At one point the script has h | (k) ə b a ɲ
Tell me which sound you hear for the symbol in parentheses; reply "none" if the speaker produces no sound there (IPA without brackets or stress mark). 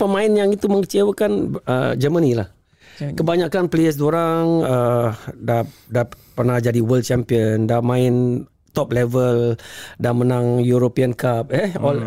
k